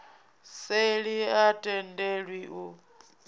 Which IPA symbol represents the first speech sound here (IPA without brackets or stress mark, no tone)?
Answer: s